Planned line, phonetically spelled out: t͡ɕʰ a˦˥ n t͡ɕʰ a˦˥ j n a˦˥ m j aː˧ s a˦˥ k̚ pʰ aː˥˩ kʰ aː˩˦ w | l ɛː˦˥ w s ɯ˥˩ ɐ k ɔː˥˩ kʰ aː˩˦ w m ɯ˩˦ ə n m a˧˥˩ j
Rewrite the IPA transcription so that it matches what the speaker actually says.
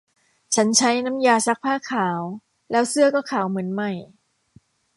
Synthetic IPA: t͡ɕʰ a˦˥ n t͡ɕʰ a˦˥ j n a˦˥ m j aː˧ s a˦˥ k̚ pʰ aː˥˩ kʰ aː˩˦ w | l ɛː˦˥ w s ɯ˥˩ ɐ k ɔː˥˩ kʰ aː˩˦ w m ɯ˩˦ ə n m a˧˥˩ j